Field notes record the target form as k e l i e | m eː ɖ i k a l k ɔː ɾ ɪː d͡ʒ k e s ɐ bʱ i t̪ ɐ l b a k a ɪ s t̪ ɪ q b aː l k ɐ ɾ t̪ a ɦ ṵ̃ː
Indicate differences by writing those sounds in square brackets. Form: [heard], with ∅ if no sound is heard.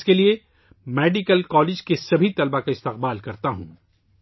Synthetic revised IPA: k e l i e | m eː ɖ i k [ə] l k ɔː [l] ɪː d͡ʒ k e s ɐ bʱ i t̪ ɐ l b a k a ɪ s t̪ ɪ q b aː l k ɐ ɾ t̪ a ɦ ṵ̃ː